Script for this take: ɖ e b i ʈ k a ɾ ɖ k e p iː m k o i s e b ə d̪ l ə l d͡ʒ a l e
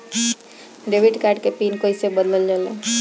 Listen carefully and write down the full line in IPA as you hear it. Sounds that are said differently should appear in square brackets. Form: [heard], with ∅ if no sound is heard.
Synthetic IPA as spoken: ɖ e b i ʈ k a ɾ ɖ k e p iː [n] k o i s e b ə d̪ l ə l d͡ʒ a l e